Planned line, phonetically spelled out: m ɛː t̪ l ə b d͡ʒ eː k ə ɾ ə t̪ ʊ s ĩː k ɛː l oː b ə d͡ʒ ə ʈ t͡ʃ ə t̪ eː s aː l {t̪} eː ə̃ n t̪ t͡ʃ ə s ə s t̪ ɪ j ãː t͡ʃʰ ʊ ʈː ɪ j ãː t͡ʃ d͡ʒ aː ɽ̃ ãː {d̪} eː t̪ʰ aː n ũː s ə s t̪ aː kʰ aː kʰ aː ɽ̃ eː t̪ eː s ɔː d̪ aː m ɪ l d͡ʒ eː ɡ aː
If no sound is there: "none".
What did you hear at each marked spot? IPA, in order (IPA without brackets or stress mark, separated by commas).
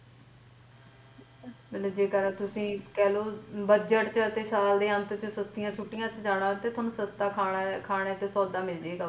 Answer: d̪, t̪